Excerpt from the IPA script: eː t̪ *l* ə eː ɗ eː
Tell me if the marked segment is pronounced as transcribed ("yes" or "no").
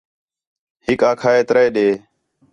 no